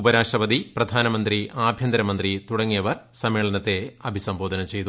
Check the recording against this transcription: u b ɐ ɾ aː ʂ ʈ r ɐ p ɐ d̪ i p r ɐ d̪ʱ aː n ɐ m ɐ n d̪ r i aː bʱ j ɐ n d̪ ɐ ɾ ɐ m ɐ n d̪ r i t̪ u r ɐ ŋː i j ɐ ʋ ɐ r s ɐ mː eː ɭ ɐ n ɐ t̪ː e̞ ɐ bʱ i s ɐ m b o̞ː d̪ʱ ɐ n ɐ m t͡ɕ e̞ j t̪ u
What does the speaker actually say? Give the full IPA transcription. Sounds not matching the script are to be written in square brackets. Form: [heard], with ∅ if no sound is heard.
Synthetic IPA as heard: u b ɐ ɾ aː ʂ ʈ r ɐ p ɐ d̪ i p r ɐ d̪ʱ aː n ɐ m ɐ n d̪ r i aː bʱ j ɐ n d̪ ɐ ɾ ɐ m ɐ n d̪ r i t̪ u [ɽ] ɐ ŋː i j ɐ ʋ ɐ r s ɐ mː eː ɭ ɐ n ɐ t̪ː e̞ ɐ bʱ i s ɐ m b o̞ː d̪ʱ ɐ n ɐ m t͡ɕ e̞ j t̪ u